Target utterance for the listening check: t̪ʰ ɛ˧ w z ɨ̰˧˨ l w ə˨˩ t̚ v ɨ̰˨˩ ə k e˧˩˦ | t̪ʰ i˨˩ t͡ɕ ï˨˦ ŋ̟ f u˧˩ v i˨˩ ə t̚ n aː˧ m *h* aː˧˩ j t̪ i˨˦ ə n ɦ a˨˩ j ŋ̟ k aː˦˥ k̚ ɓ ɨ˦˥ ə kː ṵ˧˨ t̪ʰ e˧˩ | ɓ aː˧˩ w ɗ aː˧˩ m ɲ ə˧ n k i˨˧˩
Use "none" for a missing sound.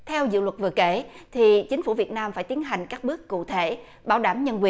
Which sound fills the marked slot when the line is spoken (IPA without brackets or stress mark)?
f